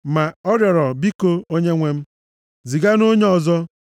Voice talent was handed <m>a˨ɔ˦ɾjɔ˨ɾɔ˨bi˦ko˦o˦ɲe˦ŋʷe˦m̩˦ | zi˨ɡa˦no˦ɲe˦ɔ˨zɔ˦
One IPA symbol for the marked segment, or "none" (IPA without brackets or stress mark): m